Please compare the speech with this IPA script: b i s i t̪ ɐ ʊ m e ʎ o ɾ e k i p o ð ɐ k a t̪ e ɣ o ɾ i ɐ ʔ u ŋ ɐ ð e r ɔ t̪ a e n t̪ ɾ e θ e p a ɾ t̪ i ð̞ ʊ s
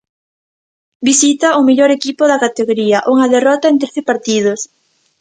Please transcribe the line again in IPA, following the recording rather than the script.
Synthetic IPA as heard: b i s i t̪ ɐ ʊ m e ʎ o ɾ e k i p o ð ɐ k a t̪ e ɣ o ɾ i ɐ ʔ u ŋ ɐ ð e r ɔ t̪ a e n t̪ ɾ e θ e p a ɾ t̪ i ð̞ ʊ s